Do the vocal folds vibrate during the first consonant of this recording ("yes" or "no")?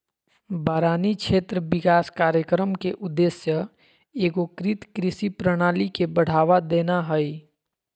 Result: yes